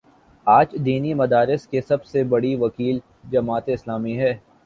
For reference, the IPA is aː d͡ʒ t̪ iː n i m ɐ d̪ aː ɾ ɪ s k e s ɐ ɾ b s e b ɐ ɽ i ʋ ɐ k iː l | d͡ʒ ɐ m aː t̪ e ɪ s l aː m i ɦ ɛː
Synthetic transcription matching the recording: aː d͡ʒ d̪ iː n i m ɐ d̪ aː ɾ ɪ s k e s ɐ b s e b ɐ ɽ i ʋ ɐ k iː l | d͡ʒ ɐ m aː t̪ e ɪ s l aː m i ɦ ɛː